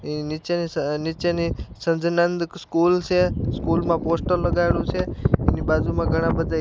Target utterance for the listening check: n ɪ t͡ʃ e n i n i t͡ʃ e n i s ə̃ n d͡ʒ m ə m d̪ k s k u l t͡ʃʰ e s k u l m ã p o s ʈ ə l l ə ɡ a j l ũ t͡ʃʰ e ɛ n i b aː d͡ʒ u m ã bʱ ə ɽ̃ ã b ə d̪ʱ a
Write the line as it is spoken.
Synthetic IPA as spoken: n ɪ t͡ʃ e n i n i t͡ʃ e n i s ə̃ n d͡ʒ n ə n d̪ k s k u l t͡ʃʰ e s k u l m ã p o s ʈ ə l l ə ɡ a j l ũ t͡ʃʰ e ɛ n i b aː d͡ʒ u m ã ɡʱ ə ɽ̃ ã b ə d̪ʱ a